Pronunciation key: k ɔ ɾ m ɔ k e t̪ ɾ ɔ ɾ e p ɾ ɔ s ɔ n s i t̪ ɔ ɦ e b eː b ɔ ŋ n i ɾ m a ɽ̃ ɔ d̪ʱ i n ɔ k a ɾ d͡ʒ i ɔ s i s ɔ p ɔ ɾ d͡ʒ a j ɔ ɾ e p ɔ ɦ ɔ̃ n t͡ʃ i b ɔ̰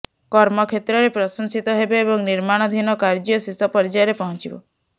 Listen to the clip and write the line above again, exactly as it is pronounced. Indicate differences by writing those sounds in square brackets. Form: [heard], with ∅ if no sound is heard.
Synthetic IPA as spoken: k ɔ ɾ m ɔ [kʰ] e t̪ ɾ ɔ ɾ e p ɾ ɔ s ɔ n s i t̪ ɔ ɦ e b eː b ɔ ŋ n i ɾ m a ɽ̃ ɔ d̪ʱ i n ɔ k a ɾ d͡ʒ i ɔ s i s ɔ p ɔ ɾ d͡ʒ a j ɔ ɾ e p ɔ ɦ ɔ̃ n t͡ʃ i b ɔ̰